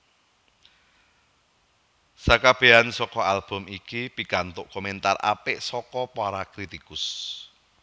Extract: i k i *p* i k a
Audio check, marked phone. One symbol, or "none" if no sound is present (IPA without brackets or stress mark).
p